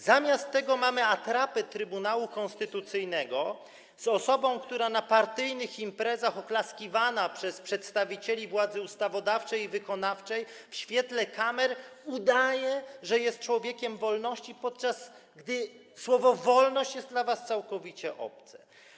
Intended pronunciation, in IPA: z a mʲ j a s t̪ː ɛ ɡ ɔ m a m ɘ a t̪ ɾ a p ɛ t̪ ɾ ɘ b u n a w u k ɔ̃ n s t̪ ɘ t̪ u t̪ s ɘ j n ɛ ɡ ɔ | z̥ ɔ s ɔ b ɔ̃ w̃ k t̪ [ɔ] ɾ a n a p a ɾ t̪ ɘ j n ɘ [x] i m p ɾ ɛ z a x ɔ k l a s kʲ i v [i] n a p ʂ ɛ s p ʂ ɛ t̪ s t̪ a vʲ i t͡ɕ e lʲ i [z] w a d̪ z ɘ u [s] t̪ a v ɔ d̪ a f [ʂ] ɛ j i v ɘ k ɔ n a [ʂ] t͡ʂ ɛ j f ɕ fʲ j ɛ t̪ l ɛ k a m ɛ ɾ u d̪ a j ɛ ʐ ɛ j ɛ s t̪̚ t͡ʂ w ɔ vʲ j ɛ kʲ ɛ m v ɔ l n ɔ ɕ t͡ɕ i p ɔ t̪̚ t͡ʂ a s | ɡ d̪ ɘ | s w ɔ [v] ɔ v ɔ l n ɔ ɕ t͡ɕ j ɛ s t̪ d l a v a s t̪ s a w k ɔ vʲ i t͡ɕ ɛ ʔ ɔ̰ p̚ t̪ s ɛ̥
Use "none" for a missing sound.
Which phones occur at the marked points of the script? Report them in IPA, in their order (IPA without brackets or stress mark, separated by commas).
u, x, a, v, s, t͡ʂ, f, v